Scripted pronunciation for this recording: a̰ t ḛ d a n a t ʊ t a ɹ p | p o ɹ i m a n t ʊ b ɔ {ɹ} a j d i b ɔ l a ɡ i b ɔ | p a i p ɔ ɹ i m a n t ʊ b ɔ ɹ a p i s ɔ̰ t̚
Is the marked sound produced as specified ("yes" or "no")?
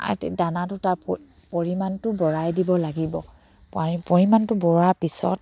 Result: yes